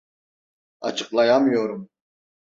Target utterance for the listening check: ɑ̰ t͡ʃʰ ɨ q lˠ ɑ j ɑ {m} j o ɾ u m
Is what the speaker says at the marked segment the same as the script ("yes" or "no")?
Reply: yes